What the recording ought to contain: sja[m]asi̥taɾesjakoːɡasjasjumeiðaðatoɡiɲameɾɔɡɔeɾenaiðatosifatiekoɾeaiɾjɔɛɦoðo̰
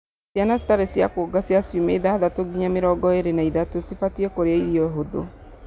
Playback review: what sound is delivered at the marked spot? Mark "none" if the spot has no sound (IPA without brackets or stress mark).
n